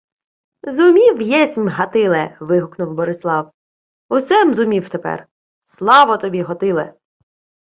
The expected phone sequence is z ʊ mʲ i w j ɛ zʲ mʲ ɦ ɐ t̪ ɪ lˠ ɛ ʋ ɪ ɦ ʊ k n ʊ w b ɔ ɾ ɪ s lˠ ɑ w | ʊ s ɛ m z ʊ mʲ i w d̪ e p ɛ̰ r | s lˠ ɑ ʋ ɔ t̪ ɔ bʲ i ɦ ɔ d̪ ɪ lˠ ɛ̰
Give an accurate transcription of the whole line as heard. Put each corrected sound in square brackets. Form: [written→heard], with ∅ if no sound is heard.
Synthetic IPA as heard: z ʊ mʲ i w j ɛ [zʲ→sʲ] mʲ ɦ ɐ t̪ ɪ lˠ ɛ ʋ ɪ ɦ ʊ k n ʊ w b ɔ ɾ ɪ s lˠ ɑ w | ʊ s ɛ m z ʊ mʲ i w [d̪→t̪] e p ɛ̰ r | s lˠ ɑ ʋ ɔ t̪ ɔ bʲ i ɦ ɔ [d̪→t̪] ɪ lˠ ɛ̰